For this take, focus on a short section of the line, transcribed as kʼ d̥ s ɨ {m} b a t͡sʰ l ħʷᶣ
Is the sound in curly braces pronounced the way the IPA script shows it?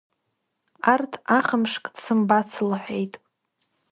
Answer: yes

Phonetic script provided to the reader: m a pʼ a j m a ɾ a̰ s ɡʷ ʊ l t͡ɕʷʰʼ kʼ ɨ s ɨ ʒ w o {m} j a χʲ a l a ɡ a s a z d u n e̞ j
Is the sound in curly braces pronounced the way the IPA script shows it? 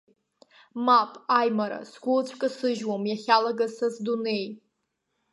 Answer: yes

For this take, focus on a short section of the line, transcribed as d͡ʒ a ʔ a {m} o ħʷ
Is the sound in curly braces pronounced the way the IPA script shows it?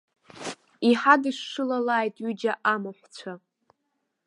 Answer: yes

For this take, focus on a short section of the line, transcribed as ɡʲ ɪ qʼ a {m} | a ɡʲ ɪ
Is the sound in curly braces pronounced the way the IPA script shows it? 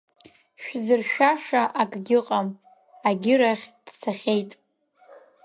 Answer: yes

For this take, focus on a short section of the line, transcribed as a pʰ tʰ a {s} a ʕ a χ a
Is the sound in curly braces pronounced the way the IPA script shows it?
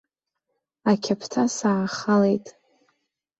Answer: yes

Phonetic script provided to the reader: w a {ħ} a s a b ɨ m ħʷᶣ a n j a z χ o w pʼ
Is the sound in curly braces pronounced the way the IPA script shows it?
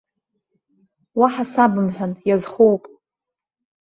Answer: yes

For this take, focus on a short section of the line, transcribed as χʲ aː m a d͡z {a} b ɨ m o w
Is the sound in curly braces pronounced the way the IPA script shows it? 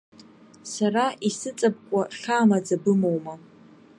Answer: yes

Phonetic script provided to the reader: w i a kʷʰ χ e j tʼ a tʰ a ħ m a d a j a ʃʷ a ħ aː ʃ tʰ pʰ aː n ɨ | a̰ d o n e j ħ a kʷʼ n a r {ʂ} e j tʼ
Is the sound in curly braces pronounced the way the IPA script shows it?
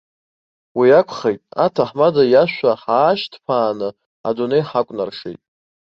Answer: yes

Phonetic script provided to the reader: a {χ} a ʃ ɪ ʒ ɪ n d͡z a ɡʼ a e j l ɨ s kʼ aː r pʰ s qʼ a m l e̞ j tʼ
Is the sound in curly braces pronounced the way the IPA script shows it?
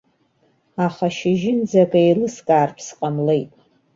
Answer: yes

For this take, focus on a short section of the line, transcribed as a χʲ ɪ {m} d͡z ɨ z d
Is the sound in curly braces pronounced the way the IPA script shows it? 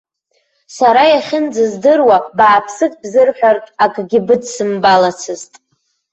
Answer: no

